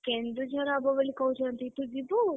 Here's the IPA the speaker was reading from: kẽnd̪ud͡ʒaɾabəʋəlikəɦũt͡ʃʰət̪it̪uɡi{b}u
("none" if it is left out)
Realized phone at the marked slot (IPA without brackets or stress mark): b